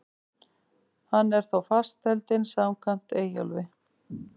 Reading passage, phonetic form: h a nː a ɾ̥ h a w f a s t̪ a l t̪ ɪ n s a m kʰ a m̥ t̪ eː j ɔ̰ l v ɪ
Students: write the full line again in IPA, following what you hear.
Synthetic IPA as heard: h a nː ɛ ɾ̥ θ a w f a s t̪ ɛ l t̪ ɪ n s a m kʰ a m̥ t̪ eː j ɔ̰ l v ɪ